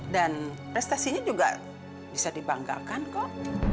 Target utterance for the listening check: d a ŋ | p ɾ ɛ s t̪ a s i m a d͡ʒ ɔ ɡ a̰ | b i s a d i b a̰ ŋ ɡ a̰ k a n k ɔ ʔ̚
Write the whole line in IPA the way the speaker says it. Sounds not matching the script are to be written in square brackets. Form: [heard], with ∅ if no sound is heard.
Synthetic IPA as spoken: d a [n] | p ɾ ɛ s t̪ a s i [ɲ] a d͡ʒ [u] ɡ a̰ | b i s a d i b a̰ ŋ ɡ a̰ k a n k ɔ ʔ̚

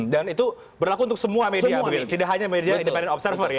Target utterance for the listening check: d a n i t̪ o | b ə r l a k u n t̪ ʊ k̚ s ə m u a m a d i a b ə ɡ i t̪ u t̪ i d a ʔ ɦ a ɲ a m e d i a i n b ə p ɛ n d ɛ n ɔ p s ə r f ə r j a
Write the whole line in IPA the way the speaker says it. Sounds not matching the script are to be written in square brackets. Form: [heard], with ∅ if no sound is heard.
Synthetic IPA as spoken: d a n i t̪ [u] | b ə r l a k u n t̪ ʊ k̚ s ə m u a m [e] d i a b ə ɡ i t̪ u t̪ i d a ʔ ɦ a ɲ a m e d i a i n [d] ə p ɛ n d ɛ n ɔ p s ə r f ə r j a

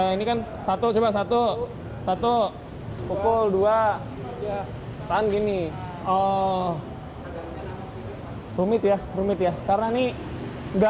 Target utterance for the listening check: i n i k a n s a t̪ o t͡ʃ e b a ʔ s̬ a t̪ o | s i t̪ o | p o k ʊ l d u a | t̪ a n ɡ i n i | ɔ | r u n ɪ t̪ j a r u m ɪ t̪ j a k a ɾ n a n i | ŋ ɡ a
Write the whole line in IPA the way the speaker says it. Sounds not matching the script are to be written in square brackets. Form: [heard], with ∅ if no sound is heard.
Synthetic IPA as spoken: i n i k a n s a t̪ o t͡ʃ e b a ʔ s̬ a t̪ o | s [a] t̪ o | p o k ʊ l d u a | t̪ a n ɡ i n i | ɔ | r u [m] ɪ t̪ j a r u m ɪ t̪ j a k a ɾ n a n i | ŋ ɡ a

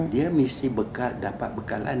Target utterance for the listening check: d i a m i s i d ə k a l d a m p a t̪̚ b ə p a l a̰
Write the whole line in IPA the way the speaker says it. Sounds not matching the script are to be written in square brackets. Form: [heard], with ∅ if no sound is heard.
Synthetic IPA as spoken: d i a m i s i [b] ə k a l d a [∅] p a t̪̚ b ə [k] a l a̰

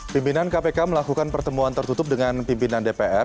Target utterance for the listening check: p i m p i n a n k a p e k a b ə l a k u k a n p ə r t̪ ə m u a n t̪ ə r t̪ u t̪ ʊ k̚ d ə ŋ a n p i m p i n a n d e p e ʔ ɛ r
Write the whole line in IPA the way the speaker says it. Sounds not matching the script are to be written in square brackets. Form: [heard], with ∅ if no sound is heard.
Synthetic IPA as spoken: p i m p i n a n k a p e k a [m] ə l a k u k a n p ə r t̪ ə m u a n t̪ ə r t̪ u t̪ ʊ [p̚] d ə ŋ a n p i m p i n a n d e p e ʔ ɛ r

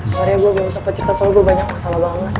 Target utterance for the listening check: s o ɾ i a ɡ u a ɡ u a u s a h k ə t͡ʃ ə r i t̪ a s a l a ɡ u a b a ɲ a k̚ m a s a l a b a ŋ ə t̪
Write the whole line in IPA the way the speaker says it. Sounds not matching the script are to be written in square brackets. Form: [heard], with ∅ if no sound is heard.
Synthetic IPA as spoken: s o ɾ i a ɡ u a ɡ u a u s a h [p] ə t͡ʃ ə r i t̪ a s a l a ɡ u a b a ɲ a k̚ m a s a l a b a ŋ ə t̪

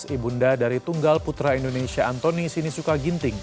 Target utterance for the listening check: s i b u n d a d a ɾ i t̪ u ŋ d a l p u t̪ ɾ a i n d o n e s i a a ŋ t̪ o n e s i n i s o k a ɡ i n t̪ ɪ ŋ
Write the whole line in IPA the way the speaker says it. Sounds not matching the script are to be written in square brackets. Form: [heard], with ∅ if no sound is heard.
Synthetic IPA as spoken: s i b u n d a d a ɾ i t̪ u ŋ [ɡ] a l p u t̪ ɾ a i n d o n e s i a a [n] t̪ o n [i] s i n i s [u] k a ɡ i n t̪ ɪ ŋ

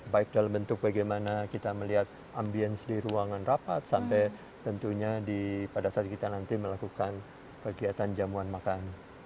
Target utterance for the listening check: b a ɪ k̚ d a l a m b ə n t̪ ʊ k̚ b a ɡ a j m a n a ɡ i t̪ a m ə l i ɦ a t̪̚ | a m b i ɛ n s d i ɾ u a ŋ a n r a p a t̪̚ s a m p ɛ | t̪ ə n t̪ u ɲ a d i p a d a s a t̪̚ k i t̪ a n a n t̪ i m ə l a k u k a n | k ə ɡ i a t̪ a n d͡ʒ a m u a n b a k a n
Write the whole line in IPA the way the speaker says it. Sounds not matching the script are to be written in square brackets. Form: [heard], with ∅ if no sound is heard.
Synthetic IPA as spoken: b a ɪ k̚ d a l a m b ə n t̪ ʊ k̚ b a ɡ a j m a n a [k] i t̪ a m ə l i ɦ a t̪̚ | a m b i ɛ n s d i ɾ u a ŋ a n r a p a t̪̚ s a m p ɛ | t̪ ə n t̪ u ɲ a d i p a d a s a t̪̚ k i t̪ a n a n t̪ i m ə l a k u k a n | k ə ɡ i a t̪ a n d͡ʒ a m u a n [m] a k a n

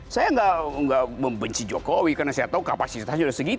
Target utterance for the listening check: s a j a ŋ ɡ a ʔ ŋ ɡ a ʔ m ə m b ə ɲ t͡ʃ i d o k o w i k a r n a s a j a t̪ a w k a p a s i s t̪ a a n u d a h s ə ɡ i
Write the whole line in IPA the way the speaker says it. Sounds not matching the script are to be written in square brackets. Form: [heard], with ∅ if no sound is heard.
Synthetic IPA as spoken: s a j a ŋ ɡ a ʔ ŋ ɡ a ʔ m ə m b ə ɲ t͡ʃ i [d͡ʒ] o k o w i k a r n a s a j a t̪ a [u] k a p a s i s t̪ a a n u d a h s ə ɡ i

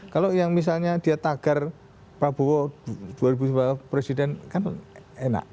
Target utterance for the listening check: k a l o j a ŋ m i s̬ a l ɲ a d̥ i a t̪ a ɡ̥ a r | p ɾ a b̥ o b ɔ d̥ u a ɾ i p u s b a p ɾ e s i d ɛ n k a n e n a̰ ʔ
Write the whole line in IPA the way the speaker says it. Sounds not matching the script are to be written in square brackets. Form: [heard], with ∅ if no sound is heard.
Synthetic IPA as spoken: k a l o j a ŋ m i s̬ a l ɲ a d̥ i a t̪ a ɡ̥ a r | p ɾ a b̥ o [w] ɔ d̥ u a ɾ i [b] u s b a p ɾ e s i d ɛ n k a n e n a̰ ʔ

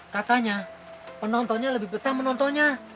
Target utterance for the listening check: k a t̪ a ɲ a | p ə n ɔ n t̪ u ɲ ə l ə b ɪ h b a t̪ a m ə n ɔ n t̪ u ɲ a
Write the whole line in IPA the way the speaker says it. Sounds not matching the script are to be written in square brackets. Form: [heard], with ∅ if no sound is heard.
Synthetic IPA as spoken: k a t̪ a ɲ a | p ə n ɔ n t̪ [ɔ] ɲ [a] l ə b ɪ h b [ə] t̪ a m ə n ɔ n t̪ [ɔ] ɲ a

